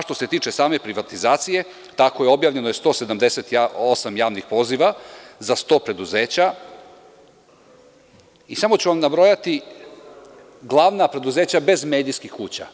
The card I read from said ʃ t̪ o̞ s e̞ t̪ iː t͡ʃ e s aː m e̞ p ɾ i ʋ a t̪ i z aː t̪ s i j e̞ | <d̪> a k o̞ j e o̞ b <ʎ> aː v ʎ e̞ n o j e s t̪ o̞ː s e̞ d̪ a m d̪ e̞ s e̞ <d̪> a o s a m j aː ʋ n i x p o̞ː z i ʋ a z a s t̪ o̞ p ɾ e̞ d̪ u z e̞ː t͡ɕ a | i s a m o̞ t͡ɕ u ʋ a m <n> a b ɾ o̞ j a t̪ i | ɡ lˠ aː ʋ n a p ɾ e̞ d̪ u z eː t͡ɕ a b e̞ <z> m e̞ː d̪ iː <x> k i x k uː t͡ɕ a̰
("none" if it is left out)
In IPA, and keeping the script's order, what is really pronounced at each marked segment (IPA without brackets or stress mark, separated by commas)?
t̪, j, t̪, n, z, s